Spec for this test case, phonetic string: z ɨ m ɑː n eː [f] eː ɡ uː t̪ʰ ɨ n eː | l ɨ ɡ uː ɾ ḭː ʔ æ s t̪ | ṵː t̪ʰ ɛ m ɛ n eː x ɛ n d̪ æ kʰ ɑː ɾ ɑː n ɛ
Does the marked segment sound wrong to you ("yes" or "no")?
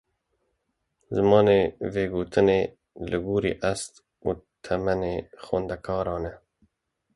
yes